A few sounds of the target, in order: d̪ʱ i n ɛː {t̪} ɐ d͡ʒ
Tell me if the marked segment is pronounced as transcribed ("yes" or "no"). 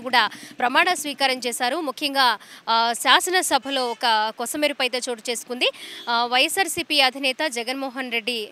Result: yes